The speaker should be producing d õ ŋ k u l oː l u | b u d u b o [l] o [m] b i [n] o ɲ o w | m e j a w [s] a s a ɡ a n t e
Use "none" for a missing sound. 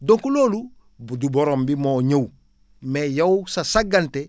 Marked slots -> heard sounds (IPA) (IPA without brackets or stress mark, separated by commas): ɾ, m, m, s